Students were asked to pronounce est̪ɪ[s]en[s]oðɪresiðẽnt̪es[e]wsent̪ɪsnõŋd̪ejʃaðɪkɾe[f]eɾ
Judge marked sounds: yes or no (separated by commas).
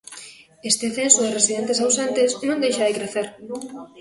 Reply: no, yes, no, no